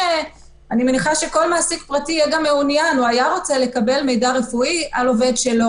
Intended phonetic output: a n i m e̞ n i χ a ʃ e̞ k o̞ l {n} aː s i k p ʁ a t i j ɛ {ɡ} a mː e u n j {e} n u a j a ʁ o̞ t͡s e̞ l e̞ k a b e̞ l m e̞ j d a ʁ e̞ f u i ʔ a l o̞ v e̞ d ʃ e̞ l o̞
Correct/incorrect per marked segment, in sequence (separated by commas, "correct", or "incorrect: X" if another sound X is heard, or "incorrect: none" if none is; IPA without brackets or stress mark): incorrect: m, correct, incorrect: a